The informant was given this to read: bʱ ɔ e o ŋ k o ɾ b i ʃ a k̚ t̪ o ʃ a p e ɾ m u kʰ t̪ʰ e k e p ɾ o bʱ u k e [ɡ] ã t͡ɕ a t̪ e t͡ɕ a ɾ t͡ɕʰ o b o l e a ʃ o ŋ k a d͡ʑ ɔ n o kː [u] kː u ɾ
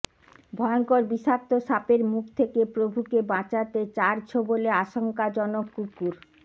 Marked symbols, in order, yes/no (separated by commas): no, yes